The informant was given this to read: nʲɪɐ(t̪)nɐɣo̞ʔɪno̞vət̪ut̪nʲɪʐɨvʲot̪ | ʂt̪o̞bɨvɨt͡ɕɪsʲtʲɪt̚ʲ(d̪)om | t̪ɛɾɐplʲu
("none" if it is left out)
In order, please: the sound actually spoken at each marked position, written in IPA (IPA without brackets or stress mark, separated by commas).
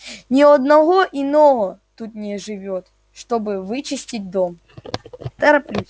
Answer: d̪, d̪